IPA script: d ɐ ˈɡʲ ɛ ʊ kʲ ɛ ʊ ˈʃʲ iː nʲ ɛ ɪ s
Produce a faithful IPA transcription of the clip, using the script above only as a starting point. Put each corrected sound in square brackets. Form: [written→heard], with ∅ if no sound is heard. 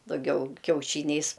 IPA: d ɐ ˈɡʲ ɛ ʊ kʲ ɛ ʊ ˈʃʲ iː nʲ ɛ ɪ s

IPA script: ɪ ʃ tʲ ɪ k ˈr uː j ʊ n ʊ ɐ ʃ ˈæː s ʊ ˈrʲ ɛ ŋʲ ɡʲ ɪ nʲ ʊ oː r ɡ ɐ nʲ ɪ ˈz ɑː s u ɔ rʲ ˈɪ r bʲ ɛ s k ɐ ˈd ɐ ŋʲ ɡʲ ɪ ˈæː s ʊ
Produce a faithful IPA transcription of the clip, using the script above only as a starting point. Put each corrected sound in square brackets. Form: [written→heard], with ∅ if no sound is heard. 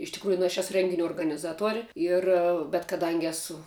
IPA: ɪ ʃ tʲ ɪ k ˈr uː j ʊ n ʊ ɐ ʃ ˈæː s ʊ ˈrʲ ɛ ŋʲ ɡʲ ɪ nʲ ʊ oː r ɡ ɐ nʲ ɪ ˈz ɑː [s→t] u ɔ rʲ ˈɪ r bʲ ɛ [s→t] k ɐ ˈd ɐ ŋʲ ɡʲ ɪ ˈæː s ʊ

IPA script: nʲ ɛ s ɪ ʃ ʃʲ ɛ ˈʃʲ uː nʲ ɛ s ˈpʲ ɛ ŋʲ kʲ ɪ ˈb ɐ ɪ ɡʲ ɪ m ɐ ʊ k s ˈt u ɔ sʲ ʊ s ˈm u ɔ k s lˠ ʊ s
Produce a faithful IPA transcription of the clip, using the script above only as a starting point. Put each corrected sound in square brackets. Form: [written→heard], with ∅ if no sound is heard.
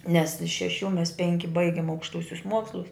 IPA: nʲ ɛ s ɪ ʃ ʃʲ ɛ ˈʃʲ uː [nʲ→mʲ] ɛ s ˈpʲ ɛ ŋʲ kʲ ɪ ˈb ɐ ɪ ɡʲ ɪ m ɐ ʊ k [s→ʃ] ˈt u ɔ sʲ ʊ s ˈm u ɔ k s lˠ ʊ s

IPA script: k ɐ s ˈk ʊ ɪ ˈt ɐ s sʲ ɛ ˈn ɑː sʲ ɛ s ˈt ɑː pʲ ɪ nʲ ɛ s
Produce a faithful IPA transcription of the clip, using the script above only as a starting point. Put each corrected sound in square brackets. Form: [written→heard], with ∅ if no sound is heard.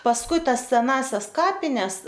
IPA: [k→p] ɐ s ˈk ʊ ɪ ˈt ɐ s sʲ ɛ ˈn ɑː sʲ ɛ s [ˈt→ˈk] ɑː pʲ ɪ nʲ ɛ s

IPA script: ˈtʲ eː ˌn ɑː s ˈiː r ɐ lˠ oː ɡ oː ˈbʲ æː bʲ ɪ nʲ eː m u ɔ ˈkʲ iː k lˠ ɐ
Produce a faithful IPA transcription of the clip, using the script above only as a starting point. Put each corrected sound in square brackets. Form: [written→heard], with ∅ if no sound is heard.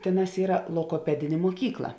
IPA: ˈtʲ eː ˌn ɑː s ˈiː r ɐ lˠ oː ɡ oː [ˈbʲ→ˈpʲ] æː [bʲ→dʲ] ɪ nʲ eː m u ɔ ˈkʲ iː k lˠ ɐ

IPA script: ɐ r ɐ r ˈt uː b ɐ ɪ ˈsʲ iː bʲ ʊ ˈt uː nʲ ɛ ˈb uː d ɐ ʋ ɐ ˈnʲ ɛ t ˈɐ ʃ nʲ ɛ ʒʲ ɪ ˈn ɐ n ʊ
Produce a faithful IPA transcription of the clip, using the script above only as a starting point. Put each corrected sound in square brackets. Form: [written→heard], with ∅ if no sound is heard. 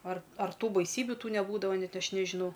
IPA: ɐ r ɐ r ˈt uː b ɐ ɪ ˈsʲ iː bʲ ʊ ˈt uː nʲ ɛ ˈb uː d ɐ ʋ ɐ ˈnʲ ɛ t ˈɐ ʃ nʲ ɛ ʒʲ ɪ ˈn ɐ [n→∅] ʊ

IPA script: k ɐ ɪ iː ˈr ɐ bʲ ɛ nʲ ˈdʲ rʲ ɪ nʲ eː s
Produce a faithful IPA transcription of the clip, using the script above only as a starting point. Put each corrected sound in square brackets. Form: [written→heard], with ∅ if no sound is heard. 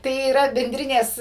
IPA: [k→t] ɐ ɪ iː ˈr ɐ bʲ ɛ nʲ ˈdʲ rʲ ɪ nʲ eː s

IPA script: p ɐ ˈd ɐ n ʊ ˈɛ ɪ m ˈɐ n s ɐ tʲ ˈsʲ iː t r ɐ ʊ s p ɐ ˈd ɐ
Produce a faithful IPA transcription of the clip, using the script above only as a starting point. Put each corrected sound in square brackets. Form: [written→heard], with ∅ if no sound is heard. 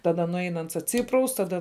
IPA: [p→t] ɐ ˈd ɐ n ʊ ˈɛ ɪ [m→n] ˈɐ n s ɐ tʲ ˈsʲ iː [t→p] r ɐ ʊ s [p→t] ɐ ˈd ɐ

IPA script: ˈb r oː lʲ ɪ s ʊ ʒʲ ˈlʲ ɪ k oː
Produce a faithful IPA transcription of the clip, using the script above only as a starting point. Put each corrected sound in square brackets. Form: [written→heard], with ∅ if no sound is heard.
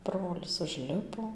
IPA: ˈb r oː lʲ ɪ s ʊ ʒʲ ˈlʲ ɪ [k→p] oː

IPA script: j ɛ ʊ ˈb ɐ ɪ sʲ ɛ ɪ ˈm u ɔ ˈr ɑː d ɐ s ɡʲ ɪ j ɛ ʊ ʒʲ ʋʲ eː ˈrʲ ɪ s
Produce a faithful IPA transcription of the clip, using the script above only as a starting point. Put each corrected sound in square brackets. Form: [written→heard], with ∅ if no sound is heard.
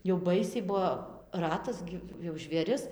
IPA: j ɛ ʊ ˈb ɐ ɪ sʲ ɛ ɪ [ˈm→ˈb] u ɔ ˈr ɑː [d→t] ɐ s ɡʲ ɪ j ɛ ʊ ʒʲ ʋʲ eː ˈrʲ ɪ s

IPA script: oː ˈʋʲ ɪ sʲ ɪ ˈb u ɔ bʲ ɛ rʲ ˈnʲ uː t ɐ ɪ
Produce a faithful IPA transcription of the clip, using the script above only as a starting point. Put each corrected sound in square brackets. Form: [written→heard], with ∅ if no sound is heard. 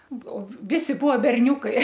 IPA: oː ˈʋʲ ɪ sʲ ɪ ˈb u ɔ bʲ ɛ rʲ ˈnʲ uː [t→k] ɐ ɪ

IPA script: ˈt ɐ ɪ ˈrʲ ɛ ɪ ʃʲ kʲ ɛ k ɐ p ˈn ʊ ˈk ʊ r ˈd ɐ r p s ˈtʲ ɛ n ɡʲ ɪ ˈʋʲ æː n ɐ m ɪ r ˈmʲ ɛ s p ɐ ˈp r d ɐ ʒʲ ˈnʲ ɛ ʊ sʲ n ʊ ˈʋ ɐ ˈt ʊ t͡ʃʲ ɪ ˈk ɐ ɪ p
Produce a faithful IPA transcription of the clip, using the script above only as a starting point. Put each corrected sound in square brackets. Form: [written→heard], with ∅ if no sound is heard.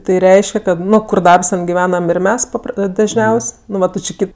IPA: ˈt ɐ ɪ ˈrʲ ɛ ɪ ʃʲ kʲ ɛ k ɐ [p→t] ˈn ʊ ˈk ʊ r ˈd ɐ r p s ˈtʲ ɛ n ɡʲ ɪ ˈʋʲ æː n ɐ m ɪ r ˈmʲ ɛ s p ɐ ˈp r d ɐ ʒʲ ˈnʲ ɛ ʊ sʲ n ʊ ˈʋ ɐ ˈt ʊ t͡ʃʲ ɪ ˈk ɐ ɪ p

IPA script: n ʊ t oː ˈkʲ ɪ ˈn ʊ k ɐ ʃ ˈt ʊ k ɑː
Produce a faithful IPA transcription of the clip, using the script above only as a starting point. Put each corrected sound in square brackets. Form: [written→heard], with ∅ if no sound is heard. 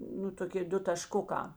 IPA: n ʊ t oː ˈkʲ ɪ [ˈn→ˈd] ʊ [k→t] ɐ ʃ [ˈt→ˈk] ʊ k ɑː

